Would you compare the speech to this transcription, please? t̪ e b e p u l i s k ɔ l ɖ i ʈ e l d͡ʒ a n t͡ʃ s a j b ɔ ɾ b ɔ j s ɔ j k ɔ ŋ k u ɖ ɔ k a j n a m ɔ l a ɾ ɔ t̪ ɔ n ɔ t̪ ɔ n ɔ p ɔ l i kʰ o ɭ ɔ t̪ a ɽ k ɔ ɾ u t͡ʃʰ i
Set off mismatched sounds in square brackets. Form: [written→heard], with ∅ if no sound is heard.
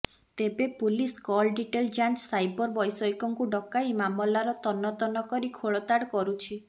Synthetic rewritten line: t̪ e b e p u l i s k ɔ l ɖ i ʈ e l d͡ʒ a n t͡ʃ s a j b ɔ ɾ b ɔ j s ɔ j k ɔ ŋ k u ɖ ɔ k a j [n→m] a m ɔ l a ɾ ɔ t̪ ɔ n ɔ t̪ ɔ n ɔ [p→k] ɔ [l→ɾ] i kʰ o ɭ ɔ t̪ a ɽ k ɔ ɾ u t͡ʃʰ i